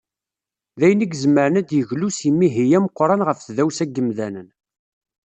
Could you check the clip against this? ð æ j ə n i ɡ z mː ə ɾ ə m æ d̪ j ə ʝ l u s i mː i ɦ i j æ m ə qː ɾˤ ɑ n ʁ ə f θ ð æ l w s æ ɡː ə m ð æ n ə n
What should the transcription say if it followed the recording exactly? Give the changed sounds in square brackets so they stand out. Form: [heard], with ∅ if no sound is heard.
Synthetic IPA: ð æ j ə n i ɡ z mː ə ɾ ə [n] æ d̪ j ə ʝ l u s i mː i ɦ i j æ m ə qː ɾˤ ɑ n ʁ ə f θ ð æ [∅] w s æ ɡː ə m ð æ n ə n